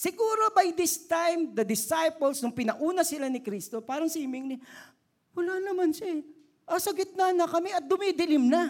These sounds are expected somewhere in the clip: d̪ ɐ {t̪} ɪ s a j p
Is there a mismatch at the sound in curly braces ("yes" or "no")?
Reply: yes